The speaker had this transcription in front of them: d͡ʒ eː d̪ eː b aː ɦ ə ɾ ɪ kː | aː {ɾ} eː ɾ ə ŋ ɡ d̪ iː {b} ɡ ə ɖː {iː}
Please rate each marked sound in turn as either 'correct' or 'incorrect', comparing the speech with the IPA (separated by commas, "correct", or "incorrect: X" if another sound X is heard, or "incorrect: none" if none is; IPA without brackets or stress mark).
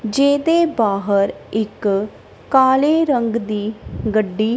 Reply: incorrect: l, incorrect: none, correct